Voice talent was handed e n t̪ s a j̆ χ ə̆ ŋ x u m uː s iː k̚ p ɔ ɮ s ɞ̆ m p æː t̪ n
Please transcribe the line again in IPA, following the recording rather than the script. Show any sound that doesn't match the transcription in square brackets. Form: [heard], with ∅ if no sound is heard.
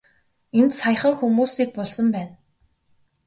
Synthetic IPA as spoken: e n t̪ s a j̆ χ ə̆ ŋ x u m uː s iː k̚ p ɔ ɮ s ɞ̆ m p æː [∅] n

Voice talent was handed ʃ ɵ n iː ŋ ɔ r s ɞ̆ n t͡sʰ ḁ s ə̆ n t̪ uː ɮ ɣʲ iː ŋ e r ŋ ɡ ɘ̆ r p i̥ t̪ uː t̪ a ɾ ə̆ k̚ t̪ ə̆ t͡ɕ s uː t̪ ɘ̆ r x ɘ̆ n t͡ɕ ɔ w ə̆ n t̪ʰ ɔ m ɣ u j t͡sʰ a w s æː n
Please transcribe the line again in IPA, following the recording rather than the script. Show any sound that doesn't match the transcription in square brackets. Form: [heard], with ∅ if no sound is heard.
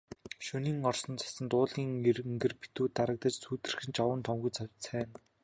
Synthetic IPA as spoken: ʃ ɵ n iː ŋ ɔ r s ɞ̆ n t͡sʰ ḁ s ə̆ n t̪ [ʊː] ɮ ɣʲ iː ŋ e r ŋ ɡ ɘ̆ r p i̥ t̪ uː t̪ a ɾ ə̆ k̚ t̪ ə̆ t͡ɕ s uː t̪ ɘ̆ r x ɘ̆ n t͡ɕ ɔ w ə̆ n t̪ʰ ɔ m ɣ u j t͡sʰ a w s æː n

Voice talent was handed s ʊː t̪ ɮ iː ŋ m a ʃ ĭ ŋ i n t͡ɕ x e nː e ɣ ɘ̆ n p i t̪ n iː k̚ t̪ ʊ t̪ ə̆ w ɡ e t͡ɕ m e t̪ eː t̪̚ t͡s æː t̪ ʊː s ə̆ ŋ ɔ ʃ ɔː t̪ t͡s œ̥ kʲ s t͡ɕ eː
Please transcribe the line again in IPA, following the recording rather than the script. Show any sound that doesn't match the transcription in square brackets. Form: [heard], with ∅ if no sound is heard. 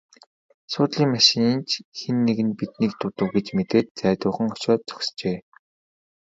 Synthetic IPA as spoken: s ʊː t̪ ɮ iː ŋ m a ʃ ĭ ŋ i n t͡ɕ x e nː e ɣ ɘ̆ n p i t̪ n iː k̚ t̪ ʊ t̪ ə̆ w ɡ e t͡ɕ m e t̪ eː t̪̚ t͡s æː t̪ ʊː [χ] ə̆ ŋ ɔ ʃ ɔː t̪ t͡s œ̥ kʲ s t͡ɕ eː

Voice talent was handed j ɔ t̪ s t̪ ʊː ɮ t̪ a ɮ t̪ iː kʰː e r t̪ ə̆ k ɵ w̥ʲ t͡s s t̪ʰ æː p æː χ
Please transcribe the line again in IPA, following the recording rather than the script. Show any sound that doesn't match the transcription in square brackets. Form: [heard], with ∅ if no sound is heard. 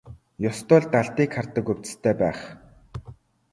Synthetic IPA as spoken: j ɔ [∅] s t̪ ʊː ɮ t̪ a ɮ t̪ iː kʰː [a] r t̪ ə̆ k ɵ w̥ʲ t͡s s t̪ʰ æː p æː χ

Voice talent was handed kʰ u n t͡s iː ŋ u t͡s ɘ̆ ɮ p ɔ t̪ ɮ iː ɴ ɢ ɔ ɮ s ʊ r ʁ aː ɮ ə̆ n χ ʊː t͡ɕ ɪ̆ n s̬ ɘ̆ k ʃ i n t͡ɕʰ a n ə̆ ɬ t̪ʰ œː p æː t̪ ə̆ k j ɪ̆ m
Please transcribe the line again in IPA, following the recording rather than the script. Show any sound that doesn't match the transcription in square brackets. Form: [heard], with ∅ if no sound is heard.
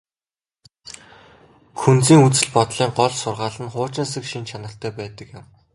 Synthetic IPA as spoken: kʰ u n t͡s iː ŋ u t͡s ɘ̆ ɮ p ɔ t̪ ɮ iː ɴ ɢ ɔ ɮ s ʊ r ʁ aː ɮ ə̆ n χ ʊː t͡ɕ ɪ̆ n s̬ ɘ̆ k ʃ i n t͡ɕʰ a n ə̆ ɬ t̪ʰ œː p æː t̪ ə̆ k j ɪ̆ m

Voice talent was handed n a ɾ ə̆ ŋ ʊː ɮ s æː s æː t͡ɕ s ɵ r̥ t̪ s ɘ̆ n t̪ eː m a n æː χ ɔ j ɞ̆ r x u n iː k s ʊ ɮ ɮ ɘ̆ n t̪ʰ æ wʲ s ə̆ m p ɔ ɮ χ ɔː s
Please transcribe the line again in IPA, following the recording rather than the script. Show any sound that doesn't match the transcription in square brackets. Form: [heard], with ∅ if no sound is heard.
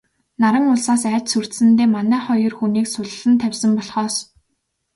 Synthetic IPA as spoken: n a ɾ ə̆ ŋ [ʊ] ɮ s [aː] s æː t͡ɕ s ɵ r̥ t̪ s ɘ̆ n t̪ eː m a n æː χ ɔ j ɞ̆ r x u n iː k s ʊ ɮ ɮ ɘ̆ n t̪ʰ æ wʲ s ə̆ m p ɔ ɮ χ ɔː s

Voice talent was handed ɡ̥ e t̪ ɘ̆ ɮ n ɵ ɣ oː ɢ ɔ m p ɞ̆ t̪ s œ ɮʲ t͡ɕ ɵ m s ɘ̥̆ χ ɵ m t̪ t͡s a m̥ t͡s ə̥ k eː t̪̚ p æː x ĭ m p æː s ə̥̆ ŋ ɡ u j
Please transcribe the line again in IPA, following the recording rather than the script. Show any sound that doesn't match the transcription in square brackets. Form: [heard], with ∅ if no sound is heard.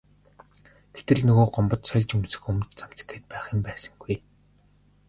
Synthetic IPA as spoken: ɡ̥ e t̪ ɘ̆ ɮ n ɵ ɣ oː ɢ ɔ m p ɞ̆ t̪ s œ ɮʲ t͡ɕ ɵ m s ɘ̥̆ [x] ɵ m t̪ t͡s a m̥ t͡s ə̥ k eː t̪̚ p æː [χ] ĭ m p æː s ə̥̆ ŋ ɡ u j

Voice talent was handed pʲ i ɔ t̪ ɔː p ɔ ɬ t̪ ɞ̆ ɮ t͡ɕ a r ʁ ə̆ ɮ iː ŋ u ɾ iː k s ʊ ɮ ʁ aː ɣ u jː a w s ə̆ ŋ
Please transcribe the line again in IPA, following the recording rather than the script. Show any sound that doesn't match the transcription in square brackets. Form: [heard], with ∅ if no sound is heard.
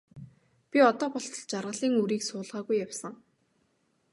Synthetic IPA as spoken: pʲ i ɔ t̪ ɔː p ɔ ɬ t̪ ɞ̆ ɮ t͡ɕ a r ʁ ə̆ ɮ iː ŋ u ɾ iː k s [ʊː] ɮ ʁ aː ɣ u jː a w s ə̆ ŋ

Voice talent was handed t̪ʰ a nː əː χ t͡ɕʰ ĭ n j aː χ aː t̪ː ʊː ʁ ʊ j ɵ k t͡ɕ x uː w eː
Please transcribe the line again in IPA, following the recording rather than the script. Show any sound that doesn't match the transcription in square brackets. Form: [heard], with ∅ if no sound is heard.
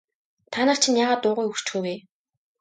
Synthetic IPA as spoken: t̪ʰ a [n] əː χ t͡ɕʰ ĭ n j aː [ʁ] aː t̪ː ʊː ʁ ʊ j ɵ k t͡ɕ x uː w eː

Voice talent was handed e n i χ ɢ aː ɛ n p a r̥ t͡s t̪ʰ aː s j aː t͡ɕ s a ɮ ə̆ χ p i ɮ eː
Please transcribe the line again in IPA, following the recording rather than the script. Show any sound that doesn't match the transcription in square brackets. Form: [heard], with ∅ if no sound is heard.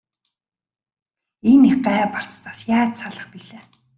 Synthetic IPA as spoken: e n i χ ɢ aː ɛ [∅] p a r̥ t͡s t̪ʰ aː s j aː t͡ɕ s a ɮ ə̆ χ p i ɮ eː

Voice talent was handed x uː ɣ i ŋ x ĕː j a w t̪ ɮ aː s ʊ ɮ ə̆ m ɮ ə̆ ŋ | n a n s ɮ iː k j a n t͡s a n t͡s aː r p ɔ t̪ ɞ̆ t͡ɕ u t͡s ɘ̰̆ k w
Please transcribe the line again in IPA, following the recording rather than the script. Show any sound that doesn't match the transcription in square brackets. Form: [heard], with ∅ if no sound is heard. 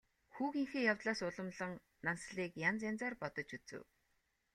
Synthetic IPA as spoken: x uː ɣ i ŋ x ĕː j a w t̪ ɮ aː s ʊ ɮ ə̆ m ɮ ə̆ ŋ | n a n s ɮ iː k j a n t͡s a n t͡s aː r p ɔ t̪ ɞ̆ t͡ɕ u t͡s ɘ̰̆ [∅] w

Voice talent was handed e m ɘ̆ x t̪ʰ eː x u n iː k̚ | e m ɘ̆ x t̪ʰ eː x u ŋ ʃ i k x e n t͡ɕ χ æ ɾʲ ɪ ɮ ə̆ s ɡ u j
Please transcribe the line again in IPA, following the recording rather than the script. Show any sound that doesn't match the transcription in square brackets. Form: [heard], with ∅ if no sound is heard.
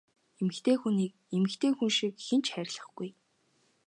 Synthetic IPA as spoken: e m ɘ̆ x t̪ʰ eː x u n iː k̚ | e m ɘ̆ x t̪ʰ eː x u [n] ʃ i k x e n t͡ɕ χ æ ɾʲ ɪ ɮ ə̆ [χ] ɡ u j

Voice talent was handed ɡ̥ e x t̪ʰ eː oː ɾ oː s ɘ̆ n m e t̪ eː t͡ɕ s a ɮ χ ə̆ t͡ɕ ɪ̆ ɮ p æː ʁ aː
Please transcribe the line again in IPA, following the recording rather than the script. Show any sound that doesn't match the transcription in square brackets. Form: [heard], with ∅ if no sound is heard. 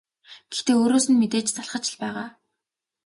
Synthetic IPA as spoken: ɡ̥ e x [t̪] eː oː ɾ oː s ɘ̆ n m e t̪ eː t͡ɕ [t͡s] a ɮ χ ə̆ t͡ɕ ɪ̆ ɮ p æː ʁ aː

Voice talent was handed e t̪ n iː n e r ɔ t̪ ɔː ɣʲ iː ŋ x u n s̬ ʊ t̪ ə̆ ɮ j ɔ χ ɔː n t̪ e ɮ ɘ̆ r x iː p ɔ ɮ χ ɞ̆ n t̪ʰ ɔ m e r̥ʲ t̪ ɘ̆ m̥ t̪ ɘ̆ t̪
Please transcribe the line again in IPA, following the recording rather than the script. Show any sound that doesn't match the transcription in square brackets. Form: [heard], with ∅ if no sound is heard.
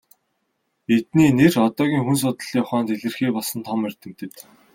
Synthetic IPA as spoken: e t̪ n iː n e r ɔ t̪ ɔː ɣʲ iː ŋ x u n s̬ ʊ t̪ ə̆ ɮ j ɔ χ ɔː n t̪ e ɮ ɘ̆ r x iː p ɔ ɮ [s] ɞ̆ n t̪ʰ ɔ m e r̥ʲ t̪ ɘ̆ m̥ t̪ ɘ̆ t̪

